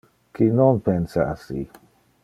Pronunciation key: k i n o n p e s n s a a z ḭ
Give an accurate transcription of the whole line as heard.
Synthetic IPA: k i n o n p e n s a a s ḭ